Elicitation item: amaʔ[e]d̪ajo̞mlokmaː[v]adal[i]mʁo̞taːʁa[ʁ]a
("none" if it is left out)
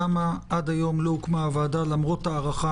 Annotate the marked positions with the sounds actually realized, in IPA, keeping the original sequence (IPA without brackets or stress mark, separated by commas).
a, v, a, χ